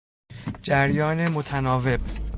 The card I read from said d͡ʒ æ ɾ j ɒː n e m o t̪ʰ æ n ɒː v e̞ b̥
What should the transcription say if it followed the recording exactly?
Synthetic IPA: d͡ʒ æ ɾ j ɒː n e m o t̪ʰ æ n ɒː v e̞ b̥